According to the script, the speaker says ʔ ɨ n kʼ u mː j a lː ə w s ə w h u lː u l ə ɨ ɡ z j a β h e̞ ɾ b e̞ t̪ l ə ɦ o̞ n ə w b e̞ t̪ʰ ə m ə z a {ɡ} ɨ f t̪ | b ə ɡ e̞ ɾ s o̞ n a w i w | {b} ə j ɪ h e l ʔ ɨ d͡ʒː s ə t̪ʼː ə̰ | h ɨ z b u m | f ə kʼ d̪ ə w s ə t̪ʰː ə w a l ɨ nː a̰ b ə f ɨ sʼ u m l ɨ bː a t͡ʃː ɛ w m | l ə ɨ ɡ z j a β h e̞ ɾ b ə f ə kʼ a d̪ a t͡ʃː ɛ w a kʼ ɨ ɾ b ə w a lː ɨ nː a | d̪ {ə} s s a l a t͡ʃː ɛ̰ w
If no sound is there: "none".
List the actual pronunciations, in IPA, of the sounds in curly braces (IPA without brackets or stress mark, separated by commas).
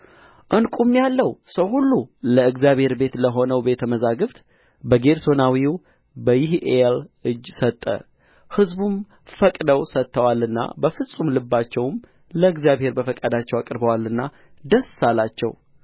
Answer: ɡ, b, ə